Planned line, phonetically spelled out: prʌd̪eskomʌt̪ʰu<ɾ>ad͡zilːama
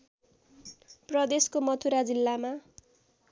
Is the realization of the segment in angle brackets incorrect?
no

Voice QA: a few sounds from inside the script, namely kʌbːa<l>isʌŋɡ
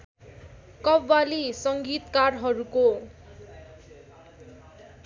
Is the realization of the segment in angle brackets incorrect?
no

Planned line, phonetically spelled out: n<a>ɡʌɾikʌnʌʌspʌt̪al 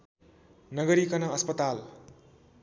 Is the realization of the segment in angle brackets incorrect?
yes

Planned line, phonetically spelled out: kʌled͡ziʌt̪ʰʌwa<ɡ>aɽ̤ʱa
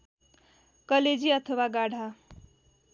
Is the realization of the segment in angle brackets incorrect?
no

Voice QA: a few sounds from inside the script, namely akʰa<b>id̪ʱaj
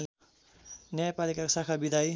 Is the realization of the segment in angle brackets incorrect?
no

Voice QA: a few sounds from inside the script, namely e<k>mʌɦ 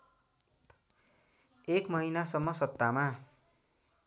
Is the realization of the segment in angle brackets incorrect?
no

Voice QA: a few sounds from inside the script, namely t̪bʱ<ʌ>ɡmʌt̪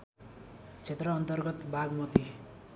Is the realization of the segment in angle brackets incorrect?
yes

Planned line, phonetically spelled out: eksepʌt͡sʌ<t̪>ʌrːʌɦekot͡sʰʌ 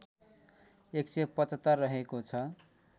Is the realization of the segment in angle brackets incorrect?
no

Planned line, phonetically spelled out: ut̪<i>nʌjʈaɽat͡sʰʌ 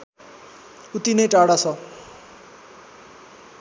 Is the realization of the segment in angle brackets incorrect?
no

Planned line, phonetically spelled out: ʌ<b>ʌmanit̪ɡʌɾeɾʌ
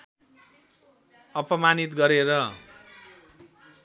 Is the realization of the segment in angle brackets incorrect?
yes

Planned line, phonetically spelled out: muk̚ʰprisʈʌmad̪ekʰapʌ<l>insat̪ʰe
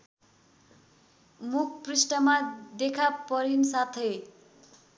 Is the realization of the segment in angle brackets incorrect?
yes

